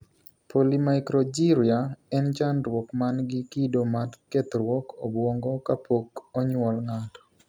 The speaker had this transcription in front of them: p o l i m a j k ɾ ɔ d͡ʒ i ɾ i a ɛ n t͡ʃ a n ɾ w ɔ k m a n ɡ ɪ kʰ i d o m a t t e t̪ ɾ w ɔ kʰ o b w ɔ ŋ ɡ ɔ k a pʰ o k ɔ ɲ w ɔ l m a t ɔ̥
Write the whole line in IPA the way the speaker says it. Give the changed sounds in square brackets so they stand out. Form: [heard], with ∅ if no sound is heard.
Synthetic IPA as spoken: p o l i m a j k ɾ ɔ d͡ʒ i ɾ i a ɛ n t͡ʃ a n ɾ w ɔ k m a n ɡ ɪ [k] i d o m a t [k] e t̪ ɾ w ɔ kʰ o b w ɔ ŋ ɡ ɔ k a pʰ o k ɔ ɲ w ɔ l [ŋ] a t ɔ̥